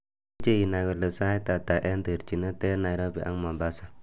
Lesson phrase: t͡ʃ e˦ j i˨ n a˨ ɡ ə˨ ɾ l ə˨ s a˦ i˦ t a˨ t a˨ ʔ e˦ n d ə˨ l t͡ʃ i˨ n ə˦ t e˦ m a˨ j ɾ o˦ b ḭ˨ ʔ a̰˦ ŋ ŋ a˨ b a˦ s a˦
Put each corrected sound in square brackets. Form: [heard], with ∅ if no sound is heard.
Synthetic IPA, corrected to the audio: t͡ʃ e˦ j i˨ n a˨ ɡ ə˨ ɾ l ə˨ s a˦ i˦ t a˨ t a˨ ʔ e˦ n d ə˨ [ɾ] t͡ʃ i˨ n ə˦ t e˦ [n] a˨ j ɾ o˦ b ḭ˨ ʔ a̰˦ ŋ [m] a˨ b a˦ s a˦